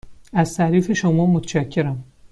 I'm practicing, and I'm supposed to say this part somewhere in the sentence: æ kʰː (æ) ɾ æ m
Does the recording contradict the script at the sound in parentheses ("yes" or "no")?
yes